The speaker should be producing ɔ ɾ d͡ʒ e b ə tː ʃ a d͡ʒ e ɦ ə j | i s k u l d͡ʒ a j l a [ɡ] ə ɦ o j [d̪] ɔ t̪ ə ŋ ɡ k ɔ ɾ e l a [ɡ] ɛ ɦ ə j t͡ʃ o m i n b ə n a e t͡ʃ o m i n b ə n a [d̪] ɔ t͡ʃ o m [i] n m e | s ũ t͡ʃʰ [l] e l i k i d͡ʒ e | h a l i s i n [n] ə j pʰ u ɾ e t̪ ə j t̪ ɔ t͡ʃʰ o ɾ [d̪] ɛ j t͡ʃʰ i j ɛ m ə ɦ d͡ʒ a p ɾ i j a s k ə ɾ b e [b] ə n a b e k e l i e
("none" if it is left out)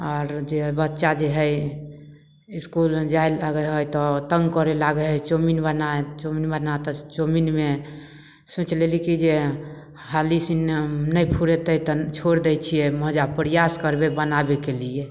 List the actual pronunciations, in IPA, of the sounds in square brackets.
ɡ, t̪, ɡ, t̪, i, l, n, d̪, b

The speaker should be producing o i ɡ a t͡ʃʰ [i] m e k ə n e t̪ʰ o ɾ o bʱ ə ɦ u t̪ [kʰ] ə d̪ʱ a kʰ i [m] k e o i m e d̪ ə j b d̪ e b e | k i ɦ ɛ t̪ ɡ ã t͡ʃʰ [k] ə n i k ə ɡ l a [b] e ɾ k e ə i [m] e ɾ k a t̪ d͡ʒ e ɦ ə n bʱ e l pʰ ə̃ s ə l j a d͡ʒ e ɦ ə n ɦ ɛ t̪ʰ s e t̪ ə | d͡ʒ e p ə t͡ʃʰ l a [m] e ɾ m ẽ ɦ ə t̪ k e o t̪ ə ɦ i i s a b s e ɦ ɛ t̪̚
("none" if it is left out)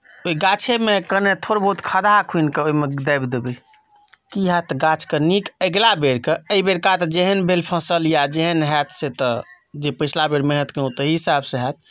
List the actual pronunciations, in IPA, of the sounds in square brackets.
e, kʰ, n, k, b, b, b

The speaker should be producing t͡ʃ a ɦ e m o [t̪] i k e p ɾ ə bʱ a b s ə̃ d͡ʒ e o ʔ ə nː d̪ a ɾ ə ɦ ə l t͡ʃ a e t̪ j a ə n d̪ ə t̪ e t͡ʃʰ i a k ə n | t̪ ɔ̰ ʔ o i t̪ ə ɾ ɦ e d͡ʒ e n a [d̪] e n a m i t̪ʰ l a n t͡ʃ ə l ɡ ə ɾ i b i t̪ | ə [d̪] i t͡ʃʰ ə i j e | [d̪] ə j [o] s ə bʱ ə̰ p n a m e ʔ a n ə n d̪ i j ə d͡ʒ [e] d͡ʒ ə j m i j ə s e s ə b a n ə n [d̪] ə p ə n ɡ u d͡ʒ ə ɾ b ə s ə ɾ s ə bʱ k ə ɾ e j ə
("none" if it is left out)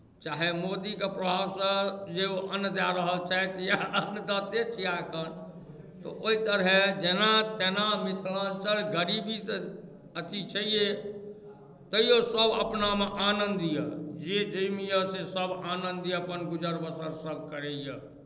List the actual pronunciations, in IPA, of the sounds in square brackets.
d̪, t̪, t̪, t̪, o, e, d̪

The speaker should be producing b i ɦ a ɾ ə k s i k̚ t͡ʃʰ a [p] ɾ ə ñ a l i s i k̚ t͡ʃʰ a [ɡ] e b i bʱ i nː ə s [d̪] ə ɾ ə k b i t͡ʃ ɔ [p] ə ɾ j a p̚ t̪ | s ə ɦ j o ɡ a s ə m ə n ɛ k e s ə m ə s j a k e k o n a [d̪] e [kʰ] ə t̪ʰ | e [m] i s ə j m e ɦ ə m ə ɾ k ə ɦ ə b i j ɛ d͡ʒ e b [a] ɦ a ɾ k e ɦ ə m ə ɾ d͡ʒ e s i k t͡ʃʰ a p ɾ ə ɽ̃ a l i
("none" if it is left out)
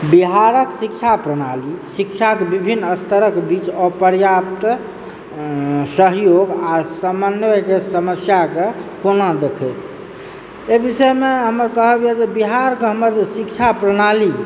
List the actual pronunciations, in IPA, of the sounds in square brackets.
p, k, t̪, p, d̪, kʰ, b, i

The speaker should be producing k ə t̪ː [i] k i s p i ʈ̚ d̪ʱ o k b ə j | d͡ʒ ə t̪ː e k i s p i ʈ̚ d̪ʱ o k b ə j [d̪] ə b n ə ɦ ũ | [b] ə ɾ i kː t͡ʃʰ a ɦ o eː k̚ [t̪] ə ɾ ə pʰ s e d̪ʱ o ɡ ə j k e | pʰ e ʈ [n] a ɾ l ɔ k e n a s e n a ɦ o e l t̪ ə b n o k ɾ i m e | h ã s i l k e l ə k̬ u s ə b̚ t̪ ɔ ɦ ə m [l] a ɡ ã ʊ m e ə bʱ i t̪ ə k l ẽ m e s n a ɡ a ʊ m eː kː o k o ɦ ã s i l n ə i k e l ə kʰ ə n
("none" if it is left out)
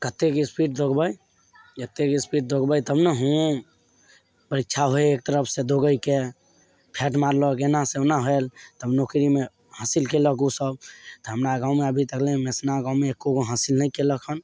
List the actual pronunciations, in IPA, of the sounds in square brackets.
e, t̪, p, t̪, m, ɾ

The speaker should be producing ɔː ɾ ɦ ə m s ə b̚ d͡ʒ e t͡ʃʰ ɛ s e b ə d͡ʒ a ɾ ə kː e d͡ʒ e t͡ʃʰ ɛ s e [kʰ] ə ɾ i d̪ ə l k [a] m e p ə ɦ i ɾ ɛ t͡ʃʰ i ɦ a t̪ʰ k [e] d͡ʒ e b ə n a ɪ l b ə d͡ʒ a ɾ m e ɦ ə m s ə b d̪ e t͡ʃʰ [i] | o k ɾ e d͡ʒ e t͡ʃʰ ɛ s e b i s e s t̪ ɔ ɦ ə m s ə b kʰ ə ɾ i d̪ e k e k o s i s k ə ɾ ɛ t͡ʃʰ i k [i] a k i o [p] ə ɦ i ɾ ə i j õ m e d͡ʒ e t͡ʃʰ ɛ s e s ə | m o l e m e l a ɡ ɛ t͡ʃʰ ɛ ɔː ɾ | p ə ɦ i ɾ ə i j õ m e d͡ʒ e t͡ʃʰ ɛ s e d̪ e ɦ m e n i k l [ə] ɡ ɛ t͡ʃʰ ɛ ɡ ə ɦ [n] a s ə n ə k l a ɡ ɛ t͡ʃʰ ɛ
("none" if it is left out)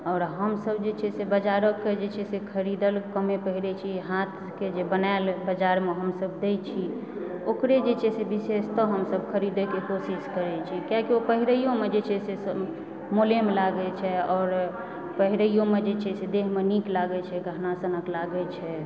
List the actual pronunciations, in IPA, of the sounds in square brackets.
kʰ, ə, e, i, j, p, a, n

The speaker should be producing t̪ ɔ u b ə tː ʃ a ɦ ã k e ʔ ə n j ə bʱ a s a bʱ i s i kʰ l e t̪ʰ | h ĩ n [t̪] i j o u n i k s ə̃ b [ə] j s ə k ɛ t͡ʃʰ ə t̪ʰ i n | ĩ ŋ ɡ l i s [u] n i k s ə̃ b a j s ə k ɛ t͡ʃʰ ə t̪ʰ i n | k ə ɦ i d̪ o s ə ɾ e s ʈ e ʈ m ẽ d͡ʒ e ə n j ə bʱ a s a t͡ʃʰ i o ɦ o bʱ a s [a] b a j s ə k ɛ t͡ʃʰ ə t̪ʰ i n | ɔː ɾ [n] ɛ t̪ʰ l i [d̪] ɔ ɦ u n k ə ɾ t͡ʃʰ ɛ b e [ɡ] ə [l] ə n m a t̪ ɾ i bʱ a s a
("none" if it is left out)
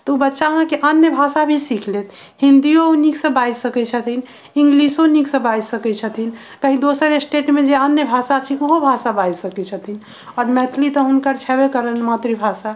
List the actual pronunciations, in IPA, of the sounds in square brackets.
d̪, a, o, a, m, t̪, k, ɾ

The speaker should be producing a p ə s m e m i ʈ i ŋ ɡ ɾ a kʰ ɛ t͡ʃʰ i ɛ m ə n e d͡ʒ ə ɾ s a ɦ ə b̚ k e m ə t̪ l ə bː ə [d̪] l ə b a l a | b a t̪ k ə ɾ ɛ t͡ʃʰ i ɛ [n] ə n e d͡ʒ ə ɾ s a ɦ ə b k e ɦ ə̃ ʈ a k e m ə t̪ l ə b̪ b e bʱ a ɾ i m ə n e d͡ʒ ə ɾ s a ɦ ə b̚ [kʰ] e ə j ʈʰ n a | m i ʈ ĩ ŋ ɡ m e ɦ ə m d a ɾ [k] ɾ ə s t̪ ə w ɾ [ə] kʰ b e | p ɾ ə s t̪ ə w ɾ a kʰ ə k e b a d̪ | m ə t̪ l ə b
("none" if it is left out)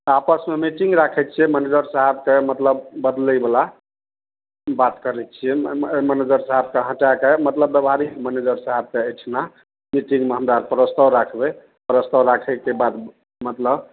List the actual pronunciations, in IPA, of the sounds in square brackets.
d̪, m, k, p, a

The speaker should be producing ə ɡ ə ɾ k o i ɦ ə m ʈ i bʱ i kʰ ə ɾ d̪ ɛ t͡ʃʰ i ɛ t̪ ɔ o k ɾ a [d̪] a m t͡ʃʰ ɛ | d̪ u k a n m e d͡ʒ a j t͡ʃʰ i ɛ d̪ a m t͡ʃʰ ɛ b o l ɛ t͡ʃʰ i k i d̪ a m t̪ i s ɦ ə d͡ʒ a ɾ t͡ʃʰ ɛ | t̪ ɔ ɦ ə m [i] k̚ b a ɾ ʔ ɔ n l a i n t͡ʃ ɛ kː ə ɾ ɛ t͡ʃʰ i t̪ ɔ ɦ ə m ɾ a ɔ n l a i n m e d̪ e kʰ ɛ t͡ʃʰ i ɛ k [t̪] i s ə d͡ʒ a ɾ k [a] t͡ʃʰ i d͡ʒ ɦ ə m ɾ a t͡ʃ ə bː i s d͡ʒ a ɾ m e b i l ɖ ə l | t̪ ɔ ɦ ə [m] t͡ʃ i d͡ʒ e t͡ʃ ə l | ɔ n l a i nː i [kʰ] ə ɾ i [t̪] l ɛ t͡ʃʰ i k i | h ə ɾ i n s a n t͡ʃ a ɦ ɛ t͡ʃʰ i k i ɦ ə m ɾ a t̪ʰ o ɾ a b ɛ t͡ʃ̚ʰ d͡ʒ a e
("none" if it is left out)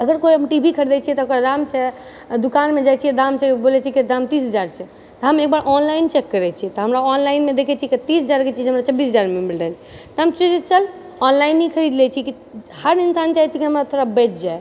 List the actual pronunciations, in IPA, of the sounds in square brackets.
d̪, e, t̪, e, m, kʰ, d̪

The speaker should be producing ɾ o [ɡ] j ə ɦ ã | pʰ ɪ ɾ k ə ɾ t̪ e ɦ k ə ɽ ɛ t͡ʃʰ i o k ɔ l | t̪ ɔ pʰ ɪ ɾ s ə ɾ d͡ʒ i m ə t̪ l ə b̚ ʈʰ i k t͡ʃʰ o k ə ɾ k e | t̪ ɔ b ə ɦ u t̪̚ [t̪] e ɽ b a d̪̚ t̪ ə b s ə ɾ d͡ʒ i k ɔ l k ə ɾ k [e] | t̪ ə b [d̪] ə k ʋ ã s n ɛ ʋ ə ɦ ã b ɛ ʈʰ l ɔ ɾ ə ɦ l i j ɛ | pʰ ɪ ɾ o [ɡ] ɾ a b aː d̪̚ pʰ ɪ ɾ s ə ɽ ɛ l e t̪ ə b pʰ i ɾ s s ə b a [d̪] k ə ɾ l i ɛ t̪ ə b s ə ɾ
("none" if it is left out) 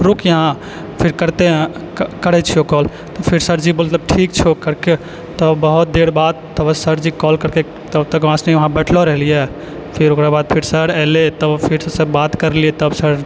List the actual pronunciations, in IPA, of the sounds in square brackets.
k, d̪, e, t̪, k, t̪

